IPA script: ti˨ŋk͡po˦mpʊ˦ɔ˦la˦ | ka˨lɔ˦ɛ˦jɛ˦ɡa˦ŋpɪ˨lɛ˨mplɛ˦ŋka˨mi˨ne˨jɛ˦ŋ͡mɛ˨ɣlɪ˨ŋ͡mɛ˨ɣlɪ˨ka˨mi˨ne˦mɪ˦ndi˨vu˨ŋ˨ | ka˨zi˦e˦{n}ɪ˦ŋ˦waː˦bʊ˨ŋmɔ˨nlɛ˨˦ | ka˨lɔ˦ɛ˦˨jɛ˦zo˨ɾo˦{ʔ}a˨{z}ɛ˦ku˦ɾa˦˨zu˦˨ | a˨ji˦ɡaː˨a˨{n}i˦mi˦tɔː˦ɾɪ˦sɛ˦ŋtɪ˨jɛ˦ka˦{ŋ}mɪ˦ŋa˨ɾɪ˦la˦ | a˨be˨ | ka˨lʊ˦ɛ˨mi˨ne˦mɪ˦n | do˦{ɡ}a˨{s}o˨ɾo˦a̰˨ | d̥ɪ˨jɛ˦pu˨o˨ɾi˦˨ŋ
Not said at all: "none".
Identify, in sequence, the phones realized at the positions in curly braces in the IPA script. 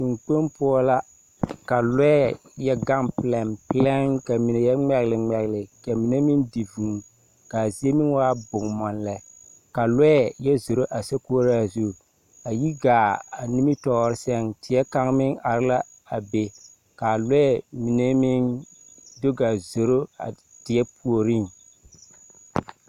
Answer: m, ʔ, s, n, ŋ, ɡ, z

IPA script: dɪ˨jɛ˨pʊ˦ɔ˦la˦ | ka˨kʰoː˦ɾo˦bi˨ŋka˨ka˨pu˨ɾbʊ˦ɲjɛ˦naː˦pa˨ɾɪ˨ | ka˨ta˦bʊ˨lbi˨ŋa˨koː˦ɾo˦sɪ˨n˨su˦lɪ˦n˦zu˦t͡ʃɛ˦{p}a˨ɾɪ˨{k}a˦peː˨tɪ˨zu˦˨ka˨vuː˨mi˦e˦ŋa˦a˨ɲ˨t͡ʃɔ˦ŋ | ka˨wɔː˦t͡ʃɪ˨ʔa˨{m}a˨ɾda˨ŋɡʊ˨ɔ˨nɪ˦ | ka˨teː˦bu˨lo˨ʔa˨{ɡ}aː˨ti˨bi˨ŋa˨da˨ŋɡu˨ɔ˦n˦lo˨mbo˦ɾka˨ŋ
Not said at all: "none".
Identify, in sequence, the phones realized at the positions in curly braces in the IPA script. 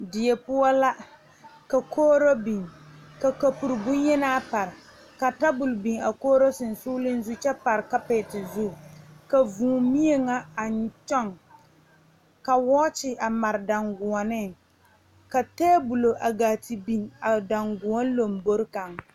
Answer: p, k, m, ɡ

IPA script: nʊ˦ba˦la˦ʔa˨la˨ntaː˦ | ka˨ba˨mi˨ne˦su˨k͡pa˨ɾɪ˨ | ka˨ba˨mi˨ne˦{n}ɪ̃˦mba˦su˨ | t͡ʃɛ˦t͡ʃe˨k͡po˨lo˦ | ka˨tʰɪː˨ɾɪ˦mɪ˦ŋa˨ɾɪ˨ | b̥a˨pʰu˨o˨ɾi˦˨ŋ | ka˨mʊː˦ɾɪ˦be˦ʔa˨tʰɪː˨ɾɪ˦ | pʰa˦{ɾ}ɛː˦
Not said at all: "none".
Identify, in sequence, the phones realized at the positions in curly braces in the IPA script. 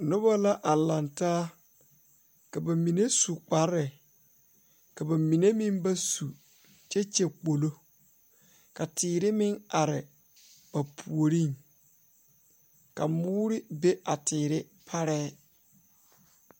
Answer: m, ɾ

